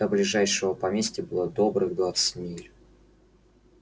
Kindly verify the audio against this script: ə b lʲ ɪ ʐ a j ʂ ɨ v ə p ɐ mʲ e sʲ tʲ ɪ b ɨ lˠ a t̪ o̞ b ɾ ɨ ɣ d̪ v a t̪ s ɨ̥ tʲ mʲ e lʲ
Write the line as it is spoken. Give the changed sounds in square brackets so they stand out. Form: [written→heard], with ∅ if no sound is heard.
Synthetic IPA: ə b lʲ ɪ ʐ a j ʂ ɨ v ə p ɐ mʲ e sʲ tʲ ɪ b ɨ lˠ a [t̪→d̪] o̞ b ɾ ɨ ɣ d̪ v a t̪ s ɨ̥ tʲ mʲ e lʲ